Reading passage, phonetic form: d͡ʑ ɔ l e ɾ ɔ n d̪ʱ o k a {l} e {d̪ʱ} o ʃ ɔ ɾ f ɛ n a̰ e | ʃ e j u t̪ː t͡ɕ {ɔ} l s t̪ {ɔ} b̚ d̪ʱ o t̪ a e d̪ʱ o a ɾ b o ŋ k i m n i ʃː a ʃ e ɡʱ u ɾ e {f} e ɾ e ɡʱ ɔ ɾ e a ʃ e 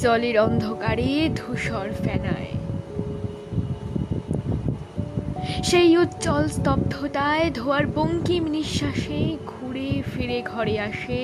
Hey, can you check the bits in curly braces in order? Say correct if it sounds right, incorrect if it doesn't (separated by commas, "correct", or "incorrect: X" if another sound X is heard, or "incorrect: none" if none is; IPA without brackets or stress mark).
incorrect: ɾ, correct, correct, correct, correct